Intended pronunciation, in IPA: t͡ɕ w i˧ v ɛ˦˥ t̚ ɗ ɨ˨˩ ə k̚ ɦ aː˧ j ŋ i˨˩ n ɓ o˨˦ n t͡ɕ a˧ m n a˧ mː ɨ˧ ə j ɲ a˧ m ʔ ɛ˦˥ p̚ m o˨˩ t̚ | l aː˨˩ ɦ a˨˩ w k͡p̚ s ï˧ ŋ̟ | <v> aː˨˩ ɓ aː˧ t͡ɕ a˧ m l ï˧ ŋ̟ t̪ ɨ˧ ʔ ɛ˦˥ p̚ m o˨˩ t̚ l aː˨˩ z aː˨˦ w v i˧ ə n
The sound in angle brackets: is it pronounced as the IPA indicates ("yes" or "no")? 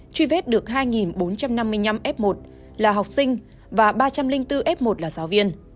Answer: yes